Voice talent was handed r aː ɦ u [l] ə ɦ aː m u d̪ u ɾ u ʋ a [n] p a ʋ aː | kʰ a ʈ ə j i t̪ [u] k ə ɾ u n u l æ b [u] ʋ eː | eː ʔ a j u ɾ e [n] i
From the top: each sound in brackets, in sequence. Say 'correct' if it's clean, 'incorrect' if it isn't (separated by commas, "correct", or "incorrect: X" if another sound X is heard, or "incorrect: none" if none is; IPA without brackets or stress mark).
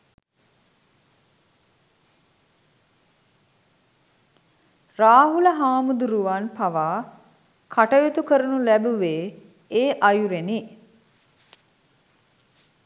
correct, correct, correct, correct, correct